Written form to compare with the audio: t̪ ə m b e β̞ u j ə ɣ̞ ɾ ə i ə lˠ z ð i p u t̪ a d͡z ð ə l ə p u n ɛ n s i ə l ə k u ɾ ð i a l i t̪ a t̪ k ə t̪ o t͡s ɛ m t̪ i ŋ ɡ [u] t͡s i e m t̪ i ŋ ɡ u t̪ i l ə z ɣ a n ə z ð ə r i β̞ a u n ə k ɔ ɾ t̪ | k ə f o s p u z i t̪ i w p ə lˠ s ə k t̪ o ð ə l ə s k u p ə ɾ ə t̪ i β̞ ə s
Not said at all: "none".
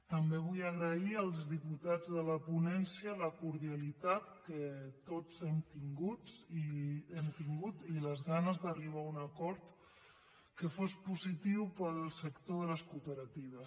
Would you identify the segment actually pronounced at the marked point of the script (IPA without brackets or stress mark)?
u